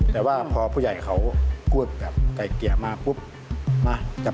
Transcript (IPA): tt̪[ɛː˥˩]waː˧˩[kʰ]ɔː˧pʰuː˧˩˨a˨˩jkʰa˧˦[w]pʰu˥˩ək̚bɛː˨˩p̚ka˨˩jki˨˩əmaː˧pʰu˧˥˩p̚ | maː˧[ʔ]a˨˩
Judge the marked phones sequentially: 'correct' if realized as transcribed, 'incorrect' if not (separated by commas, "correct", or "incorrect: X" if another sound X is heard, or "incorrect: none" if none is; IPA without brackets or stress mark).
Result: incorrect: ɛː˨˩, incorrect: pʰ, correct, incorrect: k